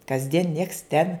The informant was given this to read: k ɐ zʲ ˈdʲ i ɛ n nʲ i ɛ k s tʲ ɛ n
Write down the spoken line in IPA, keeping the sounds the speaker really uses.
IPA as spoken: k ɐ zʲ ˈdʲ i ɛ n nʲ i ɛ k s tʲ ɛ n